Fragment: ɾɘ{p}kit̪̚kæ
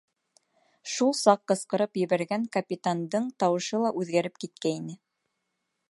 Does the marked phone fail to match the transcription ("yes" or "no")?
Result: no